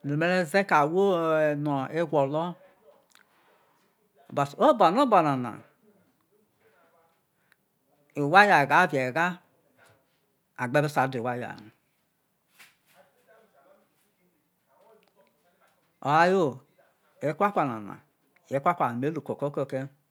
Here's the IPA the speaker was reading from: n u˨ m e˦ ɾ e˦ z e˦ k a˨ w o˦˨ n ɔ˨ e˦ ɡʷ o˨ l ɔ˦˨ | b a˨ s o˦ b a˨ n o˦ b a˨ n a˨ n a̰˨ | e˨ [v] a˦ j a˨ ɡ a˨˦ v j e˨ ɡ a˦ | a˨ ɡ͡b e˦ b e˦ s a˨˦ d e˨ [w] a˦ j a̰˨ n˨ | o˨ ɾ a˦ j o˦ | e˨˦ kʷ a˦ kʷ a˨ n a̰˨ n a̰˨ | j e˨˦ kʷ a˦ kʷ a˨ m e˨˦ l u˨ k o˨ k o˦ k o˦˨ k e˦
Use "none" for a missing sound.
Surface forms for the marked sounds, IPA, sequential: w, w

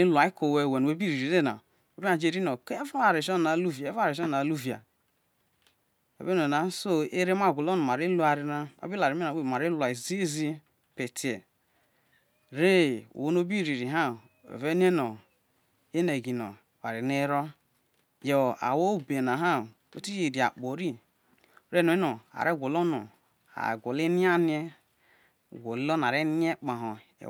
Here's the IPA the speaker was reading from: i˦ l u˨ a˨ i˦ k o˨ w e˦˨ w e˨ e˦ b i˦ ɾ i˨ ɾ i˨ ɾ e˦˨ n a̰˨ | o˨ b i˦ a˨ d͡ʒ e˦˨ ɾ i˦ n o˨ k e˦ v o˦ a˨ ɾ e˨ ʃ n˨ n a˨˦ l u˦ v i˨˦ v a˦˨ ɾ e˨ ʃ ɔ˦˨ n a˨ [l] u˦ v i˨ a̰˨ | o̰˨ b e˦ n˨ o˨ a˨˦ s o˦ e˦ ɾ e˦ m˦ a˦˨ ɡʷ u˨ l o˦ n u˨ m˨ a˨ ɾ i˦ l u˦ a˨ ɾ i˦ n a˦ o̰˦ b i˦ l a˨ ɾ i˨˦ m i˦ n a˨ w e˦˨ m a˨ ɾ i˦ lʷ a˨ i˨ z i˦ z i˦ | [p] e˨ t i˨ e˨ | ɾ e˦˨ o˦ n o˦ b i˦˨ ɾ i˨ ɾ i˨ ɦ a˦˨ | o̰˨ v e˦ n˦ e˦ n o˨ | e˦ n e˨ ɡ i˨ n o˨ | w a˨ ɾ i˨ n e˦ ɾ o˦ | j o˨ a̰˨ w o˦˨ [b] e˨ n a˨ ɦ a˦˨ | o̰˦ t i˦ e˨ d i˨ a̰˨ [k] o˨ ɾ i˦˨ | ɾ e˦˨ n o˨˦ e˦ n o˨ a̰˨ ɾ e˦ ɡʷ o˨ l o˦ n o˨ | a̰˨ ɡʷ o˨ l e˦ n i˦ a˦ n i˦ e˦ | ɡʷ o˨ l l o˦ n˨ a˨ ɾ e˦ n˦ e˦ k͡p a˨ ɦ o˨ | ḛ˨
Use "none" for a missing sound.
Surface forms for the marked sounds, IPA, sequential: l, p, b, k͡p

